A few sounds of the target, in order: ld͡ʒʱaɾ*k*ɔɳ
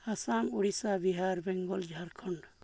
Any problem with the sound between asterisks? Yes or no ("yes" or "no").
yes